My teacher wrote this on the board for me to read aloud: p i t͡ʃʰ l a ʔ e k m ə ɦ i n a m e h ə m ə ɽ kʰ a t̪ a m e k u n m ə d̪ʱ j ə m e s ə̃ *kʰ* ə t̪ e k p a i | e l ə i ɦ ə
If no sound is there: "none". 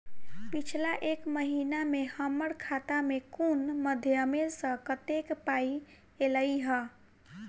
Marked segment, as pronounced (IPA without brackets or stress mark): k